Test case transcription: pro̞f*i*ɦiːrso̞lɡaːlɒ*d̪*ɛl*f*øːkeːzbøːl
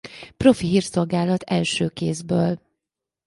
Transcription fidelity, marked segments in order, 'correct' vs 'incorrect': correct, incorrect: t̪, incorrect: ʃ

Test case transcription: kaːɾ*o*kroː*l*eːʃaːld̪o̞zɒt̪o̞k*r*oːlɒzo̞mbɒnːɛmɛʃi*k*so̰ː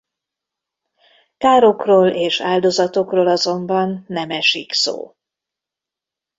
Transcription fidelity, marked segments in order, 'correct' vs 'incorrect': correct, correct, correct, correct

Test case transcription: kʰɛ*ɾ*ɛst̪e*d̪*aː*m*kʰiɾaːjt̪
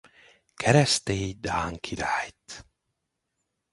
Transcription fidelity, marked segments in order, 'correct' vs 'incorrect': correct, correct, incorrect: ŋ

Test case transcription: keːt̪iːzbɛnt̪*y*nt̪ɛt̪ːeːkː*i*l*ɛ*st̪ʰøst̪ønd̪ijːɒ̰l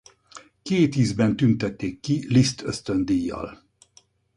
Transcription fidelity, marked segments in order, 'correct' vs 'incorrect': correct, correct, incorrect: i

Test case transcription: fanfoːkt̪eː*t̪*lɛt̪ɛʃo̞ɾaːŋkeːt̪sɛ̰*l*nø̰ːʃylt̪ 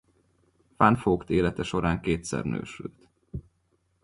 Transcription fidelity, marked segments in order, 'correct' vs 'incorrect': incorrect: none, incorrect: r

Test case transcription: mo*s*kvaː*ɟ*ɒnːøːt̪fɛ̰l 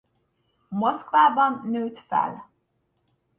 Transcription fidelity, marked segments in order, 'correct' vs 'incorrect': correct, incorrect: b

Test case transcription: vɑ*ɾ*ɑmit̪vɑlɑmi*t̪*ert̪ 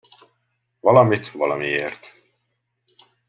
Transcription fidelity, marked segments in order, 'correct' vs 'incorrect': incorrect: l, incorrect: none

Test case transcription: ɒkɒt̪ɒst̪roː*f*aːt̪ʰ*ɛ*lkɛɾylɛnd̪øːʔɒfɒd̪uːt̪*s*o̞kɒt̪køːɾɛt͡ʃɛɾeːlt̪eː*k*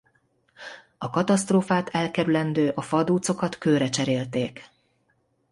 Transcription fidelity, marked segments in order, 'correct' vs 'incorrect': correct, correct, correct, correct

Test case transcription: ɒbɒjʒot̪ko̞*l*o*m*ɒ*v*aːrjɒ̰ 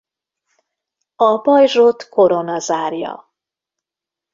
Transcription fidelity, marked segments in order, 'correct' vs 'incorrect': incorrect: ɾ, incorrect: n, incorrect: z

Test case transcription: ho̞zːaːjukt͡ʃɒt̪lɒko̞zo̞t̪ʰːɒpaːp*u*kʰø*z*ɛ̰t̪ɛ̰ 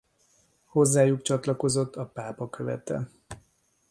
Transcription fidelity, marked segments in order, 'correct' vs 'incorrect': incorrect: ɒ, incorrect: v

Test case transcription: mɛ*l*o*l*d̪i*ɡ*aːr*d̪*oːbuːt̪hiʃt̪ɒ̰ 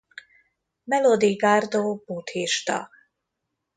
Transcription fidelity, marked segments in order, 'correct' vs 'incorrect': correct, incorrect: none, correct, correct

